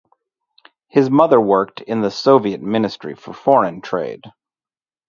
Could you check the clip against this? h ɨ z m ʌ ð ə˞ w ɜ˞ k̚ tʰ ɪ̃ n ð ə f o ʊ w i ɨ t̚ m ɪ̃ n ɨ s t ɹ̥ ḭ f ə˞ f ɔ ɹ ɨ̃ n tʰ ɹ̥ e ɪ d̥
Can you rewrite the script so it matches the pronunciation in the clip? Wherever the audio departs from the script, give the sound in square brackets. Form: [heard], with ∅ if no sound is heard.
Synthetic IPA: h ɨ z m ʌ ð ə˞ w ɜ˞ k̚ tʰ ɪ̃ n ð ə [s] o ʊ [v] i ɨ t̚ m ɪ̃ n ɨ s t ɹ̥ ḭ f ə˞ f ɔ ɹ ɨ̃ n tʰ ɹ̥ e ɪ d̥